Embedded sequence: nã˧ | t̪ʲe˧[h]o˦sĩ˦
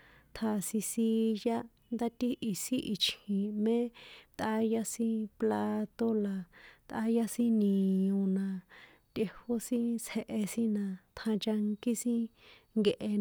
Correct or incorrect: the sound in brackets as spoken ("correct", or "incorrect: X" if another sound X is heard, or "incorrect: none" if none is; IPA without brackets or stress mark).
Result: correct